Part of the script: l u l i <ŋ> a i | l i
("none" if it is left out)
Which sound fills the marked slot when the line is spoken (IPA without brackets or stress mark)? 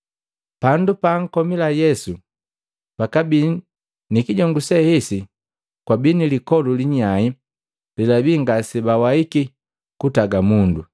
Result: ɲ